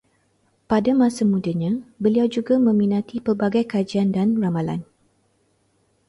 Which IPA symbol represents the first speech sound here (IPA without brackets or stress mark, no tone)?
p